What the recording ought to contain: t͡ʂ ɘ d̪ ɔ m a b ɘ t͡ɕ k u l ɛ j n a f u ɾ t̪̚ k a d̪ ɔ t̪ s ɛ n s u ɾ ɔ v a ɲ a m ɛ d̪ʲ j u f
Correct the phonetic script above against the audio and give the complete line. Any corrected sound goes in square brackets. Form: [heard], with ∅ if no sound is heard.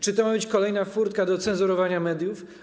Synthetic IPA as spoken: t͡ʂ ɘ [t̪] ɔ m a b ɘ t͡ɕ k [ɔ] l ɛ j n a f u ɾ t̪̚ k a d̪ ɔ t̪ s ɛ n [z] u ɾ ɔ v a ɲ a m ɛ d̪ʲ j u f